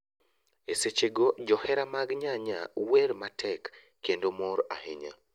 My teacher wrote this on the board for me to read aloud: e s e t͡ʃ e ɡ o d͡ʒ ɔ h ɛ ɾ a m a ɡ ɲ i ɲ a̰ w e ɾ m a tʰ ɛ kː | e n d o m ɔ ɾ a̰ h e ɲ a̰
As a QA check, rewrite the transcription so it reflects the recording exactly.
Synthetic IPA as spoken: e s e t͡ʃ e ɡ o d͡ʒ ɔ h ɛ ɾ a m a ɡ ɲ a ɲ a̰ w e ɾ m a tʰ ɛ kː | e n d o m ɔ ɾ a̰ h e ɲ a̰

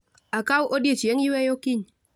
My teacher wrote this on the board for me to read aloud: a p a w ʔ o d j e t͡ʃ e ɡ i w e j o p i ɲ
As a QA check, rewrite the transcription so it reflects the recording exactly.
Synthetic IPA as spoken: a k a w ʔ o d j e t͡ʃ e ŋ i w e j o k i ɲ

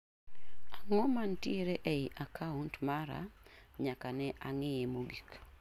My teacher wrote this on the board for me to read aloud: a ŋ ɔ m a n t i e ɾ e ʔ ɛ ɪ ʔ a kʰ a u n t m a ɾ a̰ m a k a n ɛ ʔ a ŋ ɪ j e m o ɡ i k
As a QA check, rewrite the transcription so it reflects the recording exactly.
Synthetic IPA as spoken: a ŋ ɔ m a n t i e ɾ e ʔ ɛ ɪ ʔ a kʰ a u n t m a ɾ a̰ ɲ a k a n ɛ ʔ a ŋ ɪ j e m o ɡ i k

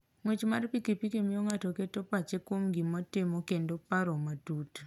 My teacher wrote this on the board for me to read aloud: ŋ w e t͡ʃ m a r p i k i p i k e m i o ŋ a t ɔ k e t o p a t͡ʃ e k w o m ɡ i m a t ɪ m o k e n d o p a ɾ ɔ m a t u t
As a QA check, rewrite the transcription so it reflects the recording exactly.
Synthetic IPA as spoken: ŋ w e t͡ʃ m a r p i k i p i k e m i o ŋ a t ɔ k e t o p a t͡ʃ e k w o m ɡ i m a t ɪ m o k e n d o p a ɾ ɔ m a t u t

